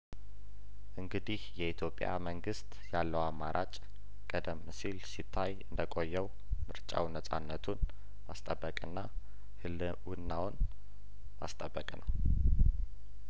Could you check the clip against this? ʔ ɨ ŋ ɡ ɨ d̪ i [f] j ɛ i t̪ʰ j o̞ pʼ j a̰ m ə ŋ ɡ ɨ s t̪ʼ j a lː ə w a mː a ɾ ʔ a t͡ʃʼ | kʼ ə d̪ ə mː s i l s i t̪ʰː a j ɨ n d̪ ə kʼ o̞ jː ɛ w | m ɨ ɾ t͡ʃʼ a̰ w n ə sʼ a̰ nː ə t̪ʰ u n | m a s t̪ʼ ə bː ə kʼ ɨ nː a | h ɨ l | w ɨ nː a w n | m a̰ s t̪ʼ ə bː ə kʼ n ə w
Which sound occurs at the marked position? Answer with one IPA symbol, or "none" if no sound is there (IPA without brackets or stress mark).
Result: h